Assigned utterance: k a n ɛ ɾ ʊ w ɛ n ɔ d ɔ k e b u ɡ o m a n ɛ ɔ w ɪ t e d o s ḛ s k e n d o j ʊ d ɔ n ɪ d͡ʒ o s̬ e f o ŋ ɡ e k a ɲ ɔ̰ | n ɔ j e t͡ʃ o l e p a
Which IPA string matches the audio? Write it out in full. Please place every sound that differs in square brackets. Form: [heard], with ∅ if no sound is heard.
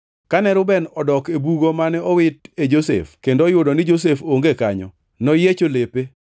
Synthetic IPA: k a n ɛ ɾ ʊ [b] ɛ n ɔ d ɔ k e b u ɡ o m a n ɛ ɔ w ɪ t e [d͡ʒ] o s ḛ [f] k e n d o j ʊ d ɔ n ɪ d͡ʒ o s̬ e f o ŋ ɡ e k a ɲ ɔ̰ | n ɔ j e t͡ʃ o l e p [e]